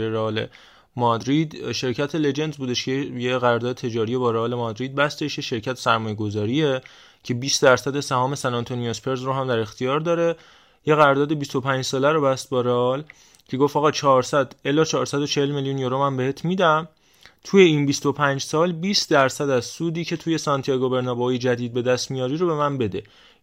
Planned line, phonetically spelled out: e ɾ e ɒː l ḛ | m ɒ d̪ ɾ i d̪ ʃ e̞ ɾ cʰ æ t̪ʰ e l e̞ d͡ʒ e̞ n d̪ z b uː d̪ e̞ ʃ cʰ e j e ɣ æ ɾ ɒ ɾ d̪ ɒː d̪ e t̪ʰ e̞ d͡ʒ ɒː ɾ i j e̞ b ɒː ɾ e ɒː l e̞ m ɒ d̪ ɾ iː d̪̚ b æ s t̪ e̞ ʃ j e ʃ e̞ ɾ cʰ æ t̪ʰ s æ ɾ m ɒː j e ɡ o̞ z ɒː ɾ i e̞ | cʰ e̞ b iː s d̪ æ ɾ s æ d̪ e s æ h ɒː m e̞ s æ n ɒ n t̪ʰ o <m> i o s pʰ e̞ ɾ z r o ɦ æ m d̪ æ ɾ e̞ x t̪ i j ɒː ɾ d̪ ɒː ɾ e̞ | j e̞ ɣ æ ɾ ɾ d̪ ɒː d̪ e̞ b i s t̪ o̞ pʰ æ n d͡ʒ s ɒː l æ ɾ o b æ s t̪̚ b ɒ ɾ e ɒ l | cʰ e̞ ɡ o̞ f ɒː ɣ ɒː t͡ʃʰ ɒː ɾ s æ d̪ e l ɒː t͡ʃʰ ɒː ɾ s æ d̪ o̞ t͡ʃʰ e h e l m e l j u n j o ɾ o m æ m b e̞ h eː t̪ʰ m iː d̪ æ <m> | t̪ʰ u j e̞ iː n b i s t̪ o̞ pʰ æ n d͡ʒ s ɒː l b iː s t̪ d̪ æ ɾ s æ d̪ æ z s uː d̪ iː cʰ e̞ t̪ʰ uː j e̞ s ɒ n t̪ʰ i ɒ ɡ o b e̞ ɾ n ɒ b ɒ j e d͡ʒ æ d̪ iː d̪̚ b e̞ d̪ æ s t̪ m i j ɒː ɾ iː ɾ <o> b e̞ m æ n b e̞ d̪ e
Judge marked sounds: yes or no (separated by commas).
no, yes, yes